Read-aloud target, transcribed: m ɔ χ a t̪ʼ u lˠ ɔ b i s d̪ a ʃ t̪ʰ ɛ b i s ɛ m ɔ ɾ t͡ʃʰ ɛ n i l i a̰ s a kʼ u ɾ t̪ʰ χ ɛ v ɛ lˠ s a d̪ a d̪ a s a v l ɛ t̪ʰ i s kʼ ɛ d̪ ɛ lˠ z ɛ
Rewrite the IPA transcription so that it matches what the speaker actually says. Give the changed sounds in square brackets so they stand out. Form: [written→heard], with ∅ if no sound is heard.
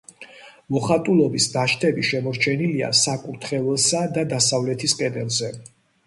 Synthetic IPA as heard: m ɔ χ a t̪ʼ u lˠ ɔ b i s d̪ a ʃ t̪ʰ ɛ b i [s→ʃ] ɛ m ɔ ɾ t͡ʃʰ ɛ n i l i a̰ s a kʼ u ɾ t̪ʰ χ ɛ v ɛ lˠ s a d̪ a d̪ a s a v l ɛ t̪ʰ i s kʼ ɛ d̪ ɛ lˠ z ɛ